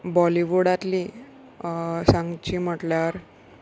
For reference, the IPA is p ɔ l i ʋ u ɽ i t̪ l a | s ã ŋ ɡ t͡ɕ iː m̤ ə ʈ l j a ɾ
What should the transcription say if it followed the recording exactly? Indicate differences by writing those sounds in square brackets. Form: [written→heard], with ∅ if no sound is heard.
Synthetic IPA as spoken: [p→b] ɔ l i ʋ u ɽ [i→a] t̪ l [a→i] | s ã ŋ ɡ t͡ɕ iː m̤ ə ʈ l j a ɾ